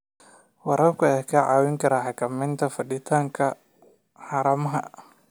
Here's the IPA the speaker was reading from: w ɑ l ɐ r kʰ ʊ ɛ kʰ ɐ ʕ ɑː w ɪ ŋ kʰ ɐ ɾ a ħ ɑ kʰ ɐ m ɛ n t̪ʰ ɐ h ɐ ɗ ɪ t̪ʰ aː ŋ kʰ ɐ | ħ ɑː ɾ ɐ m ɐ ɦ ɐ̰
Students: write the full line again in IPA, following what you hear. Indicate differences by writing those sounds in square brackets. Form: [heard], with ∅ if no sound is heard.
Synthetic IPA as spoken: w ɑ [ɾ] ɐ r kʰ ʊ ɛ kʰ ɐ ʕ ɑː w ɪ ŋ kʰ ɐ ɾ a ħ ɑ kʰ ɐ m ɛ n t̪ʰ ɐ [f] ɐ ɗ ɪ t̪ʰ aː ŋ kʰ ɐ | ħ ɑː ɾ ɐ m ɐ ɦ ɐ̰